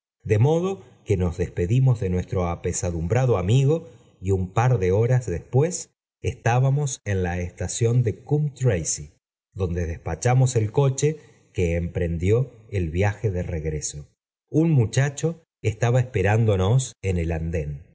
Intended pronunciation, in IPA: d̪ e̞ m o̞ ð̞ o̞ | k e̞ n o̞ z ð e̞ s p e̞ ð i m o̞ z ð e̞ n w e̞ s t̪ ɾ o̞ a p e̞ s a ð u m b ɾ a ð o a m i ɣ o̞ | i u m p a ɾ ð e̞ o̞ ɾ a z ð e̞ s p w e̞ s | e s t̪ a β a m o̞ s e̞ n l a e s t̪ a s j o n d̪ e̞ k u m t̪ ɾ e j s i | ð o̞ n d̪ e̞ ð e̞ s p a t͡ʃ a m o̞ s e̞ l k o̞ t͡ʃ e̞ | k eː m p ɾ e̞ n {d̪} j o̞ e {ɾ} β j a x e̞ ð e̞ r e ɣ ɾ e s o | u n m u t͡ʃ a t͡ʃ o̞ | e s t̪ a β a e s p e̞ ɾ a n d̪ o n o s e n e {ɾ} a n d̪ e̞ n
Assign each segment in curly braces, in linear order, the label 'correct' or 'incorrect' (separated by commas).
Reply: correct, incorrect, incorrect